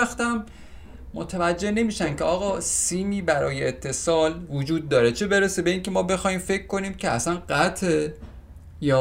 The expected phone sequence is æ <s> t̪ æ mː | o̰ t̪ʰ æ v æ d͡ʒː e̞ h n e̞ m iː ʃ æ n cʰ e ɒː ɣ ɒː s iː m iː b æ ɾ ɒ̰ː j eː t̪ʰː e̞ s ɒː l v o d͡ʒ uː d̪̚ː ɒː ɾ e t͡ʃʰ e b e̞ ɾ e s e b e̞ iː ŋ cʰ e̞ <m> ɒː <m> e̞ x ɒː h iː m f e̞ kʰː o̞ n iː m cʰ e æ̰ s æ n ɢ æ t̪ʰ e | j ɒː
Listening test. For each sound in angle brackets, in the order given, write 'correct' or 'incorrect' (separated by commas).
incorrect, correct, incorrect